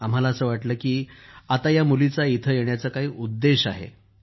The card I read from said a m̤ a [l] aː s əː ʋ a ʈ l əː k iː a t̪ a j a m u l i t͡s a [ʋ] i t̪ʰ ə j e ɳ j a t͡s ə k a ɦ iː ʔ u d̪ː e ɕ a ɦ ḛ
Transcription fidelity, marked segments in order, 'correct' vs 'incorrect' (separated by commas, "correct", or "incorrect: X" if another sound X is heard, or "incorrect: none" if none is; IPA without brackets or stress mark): correct, incorrect: none